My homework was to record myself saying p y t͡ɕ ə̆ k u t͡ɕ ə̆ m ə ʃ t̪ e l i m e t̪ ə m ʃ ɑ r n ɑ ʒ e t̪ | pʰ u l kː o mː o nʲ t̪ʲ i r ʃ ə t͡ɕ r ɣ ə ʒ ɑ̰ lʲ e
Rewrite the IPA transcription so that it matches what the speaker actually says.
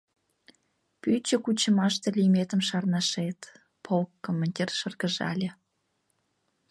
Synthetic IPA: p y t͡ɕ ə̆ k u t͡ɕ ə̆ m ɑ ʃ t̪ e l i m e t̪ ə m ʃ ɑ r n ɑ ʃ e t̪ | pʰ o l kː o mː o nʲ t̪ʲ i r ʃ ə r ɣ ə ʒ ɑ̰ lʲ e

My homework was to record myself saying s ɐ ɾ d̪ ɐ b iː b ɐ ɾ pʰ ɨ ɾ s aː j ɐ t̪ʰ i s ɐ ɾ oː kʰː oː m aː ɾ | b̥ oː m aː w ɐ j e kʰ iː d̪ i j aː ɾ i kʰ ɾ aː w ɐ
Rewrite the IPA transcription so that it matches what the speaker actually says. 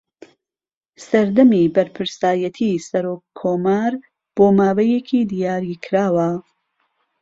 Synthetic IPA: s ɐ ɾ d̪ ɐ m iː b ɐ ɾ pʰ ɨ ɾ s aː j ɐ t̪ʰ i s ɐ ɾ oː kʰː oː m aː ɾ | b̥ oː m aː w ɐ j e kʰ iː d̪ i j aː ɾ i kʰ ɾ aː w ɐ

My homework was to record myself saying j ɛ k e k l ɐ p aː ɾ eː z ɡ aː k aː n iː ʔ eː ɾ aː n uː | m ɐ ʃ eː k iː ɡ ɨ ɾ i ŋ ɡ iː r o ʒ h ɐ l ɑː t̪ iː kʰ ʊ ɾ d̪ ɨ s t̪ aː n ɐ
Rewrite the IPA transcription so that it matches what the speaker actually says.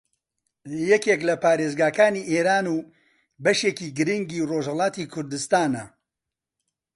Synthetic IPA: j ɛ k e k l ɐ p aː ɾ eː z ɡ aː k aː n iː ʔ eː ɾ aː n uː | b ɐ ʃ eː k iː ɡ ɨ ɾ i ŋ ɡ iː r o ʒ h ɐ l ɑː t̪ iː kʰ ʊ ɾ d̪ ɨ s t̪ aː n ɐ

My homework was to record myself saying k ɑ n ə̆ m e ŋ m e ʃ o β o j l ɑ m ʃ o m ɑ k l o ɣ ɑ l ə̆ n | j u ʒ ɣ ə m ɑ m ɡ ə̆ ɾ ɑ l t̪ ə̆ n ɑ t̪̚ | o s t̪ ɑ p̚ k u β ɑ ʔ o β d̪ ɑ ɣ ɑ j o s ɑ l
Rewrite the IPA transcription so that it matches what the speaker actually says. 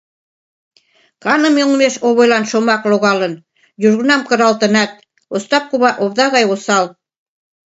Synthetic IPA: k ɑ n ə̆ m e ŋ m e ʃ o β o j l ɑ n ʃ o m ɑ k l o ɣ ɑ l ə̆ n | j u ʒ ɣ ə n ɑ m k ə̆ ɾ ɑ l t̪ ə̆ n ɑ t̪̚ | o s t̪ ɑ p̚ k u β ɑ ʔ o β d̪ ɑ ɣ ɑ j o s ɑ l

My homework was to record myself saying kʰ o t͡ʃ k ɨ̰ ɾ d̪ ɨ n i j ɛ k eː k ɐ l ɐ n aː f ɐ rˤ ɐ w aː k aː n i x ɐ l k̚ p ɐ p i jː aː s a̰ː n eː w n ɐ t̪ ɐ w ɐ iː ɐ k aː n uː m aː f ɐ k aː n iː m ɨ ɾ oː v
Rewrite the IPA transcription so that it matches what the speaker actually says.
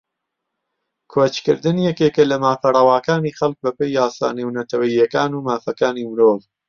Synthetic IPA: kʰ o t͡ʃ k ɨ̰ ɾ d̪ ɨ n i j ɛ k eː k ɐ l ɐ m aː f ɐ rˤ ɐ w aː k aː n i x ɐ l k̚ b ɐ p e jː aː s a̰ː n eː w n ɐ t̪ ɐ w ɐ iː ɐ k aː n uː m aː f ɐ k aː n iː m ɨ ɾ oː v

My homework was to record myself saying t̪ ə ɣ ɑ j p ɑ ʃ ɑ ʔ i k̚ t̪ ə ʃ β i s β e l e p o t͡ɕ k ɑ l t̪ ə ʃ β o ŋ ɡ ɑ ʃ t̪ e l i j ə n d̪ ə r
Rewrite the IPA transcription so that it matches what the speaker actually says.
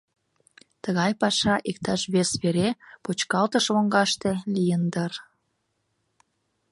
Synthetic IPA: t̪ ə ɣ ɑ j p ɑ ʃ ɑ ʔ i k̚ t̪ ɑ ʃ β e s β e ɾ e p o t͡ɕ k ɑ l t̪ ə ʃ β o ŋ ɡ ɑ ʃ t̪ e l i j ə n d̪ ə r

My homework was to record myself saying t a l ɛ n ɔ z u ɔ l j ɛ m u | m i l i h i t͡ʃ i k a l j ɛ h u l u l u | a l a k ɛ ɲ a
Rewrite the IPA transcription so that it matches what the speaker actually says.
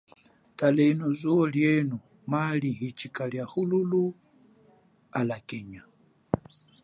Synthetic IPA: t a l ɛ n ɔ z u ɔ l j ɛ n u | m a l i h i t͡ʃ i k a l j a h u l u l u | a l a k ɛ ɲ a

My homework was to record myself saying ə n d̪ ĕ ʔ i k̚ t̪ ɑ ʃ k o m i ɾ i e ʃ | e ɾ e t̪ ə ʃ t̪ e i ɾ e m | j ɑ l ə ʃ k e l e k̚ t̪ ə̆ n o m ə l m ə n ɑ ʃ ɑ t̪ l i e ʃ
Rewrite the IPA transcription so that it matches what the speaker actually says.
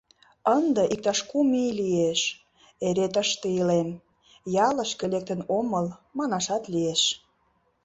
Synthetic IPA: ə n d̪ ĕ ʔ i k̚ t̪ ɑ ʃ k u m i l i e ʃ | e ɾ e t̪ ə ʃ t̪ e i l e m | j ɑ l ə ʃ k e l e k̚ t̪ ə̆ n o m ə l m ɑ n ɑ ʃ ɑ t̪ l i e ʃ

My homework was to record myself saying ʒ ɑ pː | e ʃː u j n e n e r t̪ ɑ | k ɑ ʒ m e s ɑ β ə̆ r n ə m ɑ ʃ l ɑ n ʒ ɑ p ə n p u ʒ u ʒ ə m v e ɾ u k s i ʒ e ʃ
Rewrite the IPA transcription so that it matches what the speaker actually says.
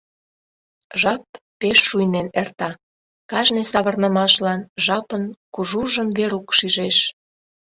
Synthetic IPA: ʒ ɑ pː | e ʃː u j n e n e r t̪ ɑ | k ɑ ʒ n e s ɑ β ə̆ r n ə m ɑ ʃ l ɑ n ʒ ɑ p ə n k u ʒ u ʒ ə m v e ɾ u k ʃ i ʒ e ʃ

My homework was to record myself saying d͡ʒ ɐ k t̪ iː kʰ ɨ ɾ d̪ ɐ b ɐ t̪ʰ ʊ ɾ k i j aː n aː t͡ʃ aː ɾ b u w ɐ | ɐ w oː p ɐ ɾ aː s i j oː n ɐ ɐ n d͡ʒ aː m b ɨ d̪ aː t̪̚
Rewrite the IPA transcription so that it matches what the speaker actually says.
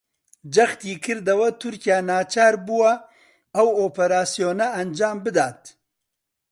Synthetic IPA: d͡ʒ ɐ x t̪ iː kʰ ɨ ɾ d̪ ɐ w ɐ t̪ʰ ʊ ɾ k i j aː n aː t͡ʃ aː ɾ b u w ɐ | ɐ w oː p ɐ ɾ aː s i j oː n ɐ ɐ n d͡ʒ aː m b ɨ d̪ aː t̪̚

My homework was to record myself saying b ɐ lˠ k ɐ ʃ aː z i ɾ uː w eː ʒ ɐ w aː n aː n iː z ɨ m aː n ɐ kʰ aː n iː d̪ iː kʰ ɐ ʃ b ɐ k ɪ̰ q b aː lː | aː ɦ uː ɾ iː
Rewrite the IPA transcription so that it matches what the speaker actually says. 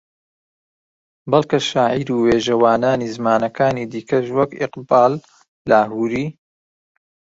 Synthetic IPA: b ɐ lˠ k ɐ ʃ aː ʕ i ɾ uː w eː ʒ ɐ w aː n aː n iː z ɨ m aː n ɐ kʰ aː n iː d̪ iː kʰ ɐ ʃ w ɐ k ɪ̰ q b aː lː | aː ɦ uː ɾ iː

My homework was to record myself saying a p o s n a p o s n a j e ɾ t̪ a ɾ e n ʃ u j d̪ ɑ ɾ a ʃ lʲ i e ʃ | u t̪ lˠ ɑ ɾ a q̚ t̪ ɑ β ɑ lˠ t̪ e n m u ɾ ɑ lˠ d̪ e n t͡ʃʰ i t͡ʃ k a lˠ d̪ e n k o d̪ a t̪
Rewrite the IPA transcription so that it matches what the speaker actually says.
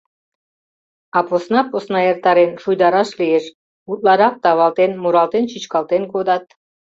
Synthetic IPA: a p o s n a p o s n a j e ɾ t̪ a ɾ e n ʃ u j d̪ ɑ ɾ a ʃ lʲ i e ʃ | u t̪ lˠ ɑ ɾ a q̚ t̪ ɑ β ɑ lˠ t̪ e n m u ɾ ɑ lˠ t̪ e n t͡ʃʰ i t͡ʃ k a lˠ t̪ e n k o d̪ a t̪

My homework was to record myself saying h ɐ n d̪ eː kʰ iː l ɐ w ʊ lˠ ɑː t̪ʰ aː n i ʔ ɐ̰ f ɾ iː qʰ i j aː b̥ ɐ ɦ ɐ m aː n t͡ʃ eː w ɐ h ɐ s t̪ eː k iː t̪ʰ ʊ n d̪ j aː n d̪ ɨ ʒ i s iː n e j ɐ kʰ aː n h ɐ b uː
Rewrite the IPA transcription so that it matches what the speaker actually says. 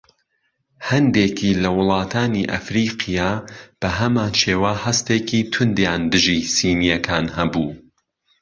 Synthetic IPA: h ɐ n d̪ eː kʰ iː l ɐ w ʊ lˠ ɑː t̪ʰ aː n i ʔ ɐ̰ f ɾ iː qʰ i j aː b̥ ɐ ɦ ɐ m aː n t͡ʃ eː w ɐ h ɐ s t̪ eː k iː t̪ʰ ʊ n d̪ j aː n d̪ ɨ ʒ i s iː n i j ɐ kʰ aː n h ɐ b uː

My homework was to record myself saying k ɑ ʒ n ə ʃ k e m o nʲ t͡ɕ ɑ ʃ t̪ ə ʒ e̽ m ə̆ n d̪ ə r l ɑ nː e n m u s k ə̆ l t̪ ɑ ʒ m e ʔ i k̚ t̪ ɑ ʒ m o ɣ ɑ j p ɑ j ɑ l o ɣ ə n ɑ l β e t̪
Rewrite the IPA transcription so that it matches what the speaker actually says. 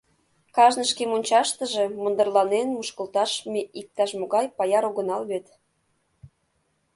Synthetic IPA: k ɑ ʒ n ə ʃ k e m o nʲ t͡ɕ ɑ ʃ t̪ ə ʒ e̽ m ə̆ n d̪ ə r l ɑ n e n m u ʃ k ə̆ l t̪ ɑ ʃ m e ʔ i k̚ t̪ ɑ ʃ m o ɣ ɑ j p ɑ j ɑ ɾ o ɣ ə n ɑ l β e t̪

